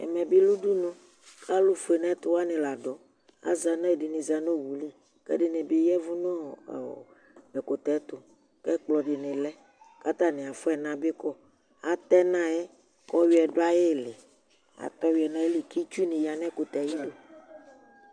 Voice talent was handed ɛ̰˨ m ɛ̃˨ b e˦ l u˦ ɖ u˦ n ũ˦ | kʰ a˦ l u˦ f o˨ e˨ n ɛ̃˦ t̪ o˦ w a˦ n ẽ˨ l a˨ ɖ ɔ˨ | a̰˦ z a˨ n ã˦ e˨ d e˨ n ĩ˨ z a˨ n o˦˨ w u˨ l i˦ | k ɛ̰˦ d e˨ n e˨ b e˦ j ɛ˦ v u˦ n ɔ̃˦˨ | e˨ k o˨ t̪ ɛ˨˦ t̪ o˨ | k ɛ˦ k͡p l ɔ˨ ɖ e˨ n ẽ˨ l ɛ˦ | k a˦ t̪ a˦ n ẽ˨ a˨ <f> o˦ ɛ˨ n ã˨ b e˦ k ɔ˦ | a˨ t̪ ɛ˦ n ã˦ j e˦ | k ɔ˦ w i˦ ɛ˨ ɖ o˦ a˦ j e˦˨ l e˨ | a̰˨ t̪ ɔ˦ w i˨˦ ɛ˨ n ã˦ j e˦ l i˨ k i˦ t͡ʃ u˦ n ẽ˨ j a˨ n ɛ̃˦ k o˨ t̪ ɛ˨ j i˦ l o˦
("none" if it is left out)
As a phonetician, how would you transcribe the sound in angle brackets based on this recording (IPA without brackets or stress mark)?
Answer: f